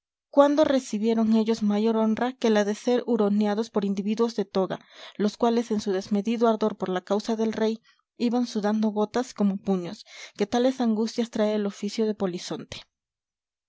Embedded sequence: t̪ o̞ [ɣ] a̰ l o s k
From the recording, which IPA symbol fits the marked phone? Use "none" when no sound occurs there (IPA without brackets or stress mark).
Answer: ɣ